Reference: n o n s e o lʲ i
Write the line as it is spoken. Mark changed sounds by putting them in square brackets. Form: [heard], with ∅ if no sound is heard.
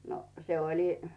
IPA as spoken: n o [∅] s e o lʲ i

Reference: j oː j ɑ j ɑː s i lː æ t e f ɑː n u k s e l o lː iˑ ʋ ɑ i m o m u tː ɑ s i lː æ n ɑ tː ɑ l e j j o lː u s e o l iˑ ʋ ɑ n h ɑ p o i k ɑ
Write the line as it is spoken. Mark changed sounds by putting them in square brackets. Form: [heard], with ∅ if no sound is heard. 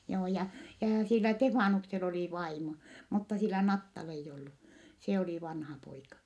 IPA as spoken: j oː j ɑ j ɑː s i lː æ t e f ɑː n u k s e l o [l] iˑ ʋ ɑ i m o m u tː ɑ s i lː æ n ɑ tː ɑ l e [i] j o lː u s e o l iˑ ʋ ɑ n h ɑ p o i k ɑ

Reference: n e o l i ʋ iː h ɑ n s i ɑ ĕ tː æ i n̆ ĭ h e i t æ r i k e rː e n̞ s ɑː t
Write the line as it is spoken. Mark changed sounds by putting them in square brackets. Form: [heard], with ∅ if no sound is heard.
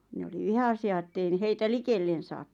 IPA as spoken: n e o l i ʋ [i] h ɑ [∅] s i ɑ ĕ tː [e] i n̆ ĭ h e i t æ [l] i k e [lː] e n̞ s ɑː t

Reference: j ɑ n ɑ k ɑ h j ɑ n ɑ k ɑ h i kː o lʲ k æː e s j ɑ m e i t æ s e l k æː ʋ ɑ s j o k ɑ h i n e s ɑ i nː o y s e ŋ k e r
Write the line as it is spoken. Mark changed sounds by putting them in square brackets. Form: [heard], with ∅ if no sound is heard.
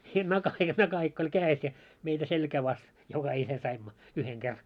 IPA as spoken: j ɑ n ɑ k ɑ h j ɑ n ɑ k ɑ h i kː o lʲ k æː e s j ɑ m e i t æ s e l k æː ʋ ɑ s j o k ɑ h i n e s ɑ i [mː] o y [h] e ŋ k e r

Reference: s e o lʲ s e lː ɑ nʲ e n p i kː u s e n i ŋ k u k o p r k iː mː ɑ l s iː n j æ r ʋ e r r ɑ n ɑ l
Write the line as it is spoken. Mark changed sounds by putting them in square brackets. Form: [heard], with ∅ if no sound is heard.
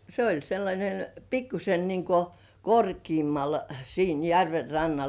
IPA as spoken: s e o lʲ s e lː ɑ nʲ e n p i kː u s e n i ŋ k [o] k o [∅] r k iː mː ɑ l s iː n j æ r ʋ e r r ɑ [nː] ɑ l

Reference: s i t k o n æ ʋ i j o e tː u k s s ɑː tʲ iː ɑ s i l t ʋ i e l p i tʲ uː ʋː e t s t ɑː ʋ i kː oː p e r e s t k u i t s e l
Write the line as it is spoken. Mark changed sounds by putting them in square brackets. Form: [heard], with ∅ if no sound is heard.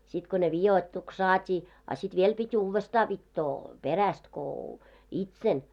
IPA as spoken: s i t k o n [e] ʋ i j o [i] tː u k s s ɑː tʲ iː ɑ s i [∅] t ʋ i e l p i tʲ uː ʋː e [∅] s t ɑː ʋ i [tː] oː p e r [æ] s t k [o] i t s e l

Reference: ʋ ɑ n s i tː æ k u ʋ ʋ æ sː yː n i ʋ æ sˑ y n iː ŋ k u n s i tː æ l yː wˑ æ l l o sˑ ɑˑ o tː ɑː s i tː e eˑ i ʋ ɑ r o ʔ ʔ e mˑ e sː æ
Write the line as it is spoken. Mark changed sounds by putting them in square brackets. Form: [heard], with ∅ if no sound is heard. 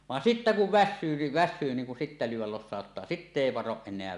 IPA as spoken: ʋ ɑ n s i tː æ k u ʋ ʋ æ sː yː n i ʋ æ sˑ [yː] n iː ŋ k u n s i tː æ l yː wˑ æ l l o sˑ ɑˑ o tː ɑː s i tː e eˑ i ʋ ɑ r o ʔ ʔ e [nˑ] e [∅] æ

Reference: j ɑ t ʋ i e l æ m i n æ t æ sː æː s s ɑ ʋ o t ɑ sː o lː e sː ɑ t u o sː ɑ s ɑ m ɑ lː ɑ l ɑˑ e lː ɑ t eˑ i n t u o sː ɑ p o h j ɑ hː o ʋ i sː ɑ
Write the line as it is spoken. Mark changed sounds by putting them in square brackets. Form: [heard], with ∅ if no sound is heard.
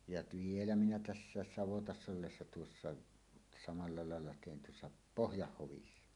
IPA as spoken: j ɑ t ʋ i e l æ m i n æ t æ sː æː s s ɑ ʋ o t ɑ sː o lː e sː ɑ t u o sː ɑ s ɑ m ɑ lː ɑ l ɑˑ e lː ɑ t eˑ i n t u o sː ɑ p o h j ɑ hː o ʋ i sː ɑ

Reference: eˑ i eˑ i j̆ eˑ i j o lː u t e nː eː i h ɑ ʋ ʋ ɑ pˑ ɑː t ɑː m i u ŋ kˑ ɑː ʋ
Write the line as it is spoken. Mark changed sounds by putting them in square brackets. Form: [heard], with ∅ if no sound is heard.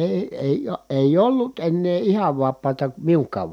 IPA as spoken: eˑ i eˑ i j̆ eˑ i j o lː u t e nː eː i h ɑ ʋ ʋ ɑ pˑ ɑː t [ɑ] m i u ŋ kˑ ɑː ʋ

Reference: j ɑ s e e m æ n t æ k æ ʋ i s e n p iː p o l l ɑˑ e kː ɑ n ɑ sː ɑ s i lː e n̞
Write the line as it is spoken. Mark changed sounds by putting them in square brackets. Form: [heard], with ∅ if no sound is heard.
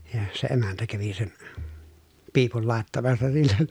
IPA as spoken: j ɑ s e e m æ n t æ k æ ʋ i s e n p iː p [u] l l ɑˑ e [tː] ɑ [m] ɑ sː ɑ s i lː e n̞

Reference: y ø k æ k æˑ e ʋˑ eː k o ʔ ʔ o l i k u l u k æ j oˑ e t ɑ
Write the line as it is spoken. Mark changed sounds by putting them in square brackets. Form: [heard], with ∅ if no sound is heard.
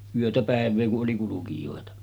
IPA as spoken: y ø [t] æ [p] æˑ e ʋˑ eː k [u] ʔ ʔ o l i k u l u k [i] j oˑ e t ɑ

